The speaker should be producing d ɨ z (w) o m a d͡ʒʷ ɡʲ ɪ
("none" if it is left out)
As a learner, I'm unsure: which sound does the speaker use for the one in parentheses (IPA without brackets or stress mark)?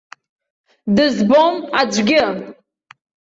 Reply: b